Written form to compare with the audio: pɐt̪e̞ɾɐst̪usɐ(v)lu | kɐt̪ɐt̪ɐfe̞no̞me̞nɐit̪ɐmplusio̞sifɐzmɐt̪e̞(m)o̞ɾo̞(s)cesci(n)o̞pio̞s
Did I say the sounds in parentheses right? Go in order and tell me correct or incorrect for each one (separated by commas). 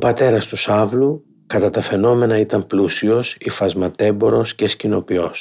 correct, incorrect, correct, correct